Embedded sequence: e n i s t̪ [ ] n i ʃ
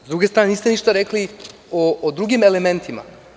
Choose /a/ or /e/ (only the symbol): e